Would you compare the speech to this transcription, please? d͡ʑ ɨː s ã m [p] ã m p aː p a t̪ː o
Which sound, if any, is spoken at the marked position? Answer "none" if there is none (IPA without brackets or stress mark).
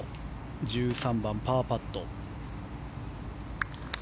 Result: b